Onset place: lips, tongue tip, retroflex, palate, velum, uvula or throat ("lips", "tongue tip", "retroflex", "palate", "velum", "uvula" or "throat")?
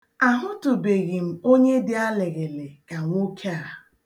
throat